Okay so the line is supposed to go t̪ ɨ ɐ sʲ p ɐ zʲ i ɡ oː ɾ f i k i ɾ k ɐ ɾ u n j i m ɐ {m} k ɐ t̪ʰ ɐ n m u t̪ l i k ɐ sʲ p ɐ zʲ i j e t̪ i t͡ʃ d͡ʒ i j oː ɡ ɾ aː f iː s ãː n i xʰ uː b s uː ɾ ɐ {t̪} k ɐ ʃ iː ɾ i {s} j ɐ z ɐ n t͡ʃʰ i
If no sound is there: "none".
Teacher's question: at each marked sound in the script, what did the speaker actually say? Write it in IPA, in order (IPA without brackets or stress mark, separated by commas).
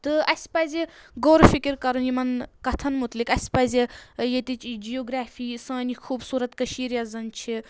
n, t̪, none